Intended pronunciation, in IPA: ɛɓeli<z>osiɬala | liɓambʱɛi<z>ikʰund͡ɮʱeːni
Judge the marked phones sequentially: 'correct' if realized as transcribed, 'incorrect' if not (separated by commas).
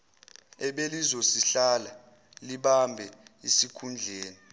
correct, incorrect